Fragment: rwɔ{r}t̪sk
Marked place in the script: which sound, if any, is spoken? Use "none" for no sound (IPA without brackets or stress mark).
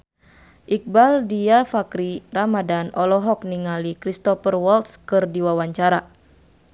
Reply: l